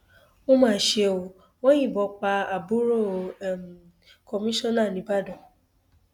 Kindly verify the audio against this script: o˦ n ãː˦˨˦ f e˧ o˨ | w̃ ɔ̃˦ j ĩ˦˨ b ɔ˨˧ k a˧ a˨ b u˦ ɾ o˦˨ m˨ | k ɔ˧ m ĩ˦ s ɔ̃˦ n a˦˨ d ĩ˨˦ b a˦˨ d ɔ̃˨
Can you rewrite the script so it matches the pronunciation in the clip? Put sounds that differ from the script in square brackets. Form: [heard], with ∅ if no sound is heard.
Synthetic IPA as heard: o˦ [m] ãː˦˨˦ [ʃ] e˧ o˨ | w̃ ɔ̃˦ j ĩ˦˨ b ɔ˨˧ [k͡p] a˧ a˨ b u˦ ɾ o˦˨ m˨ | k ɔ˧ m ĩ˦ [ʃ] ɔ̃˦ n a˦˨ [n] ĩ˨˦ b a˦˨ d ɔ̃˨